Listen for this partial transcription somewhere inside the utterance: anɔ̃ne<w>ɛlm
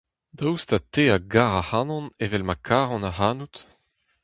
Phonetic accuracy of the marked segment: incorrect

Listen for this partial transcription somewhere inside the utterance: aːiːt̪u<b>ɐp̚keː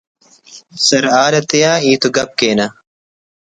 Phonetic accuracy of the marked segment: incorrect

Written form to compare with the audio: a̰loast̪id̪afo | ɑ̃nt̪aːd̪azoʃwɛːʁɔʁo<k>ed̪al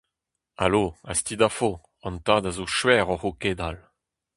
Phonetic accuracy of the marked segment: correct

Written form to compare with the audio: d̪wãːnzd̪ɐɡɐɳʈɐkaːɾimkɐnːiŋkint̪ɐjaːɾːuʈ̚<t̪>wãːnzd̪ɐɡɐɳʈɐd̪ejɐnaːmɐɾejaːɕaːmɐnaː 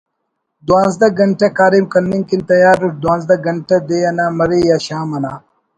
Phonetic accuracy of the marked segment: incorrect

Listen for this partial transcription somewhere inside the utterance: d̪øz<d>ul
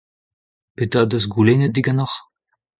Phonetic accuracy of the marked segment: incorrect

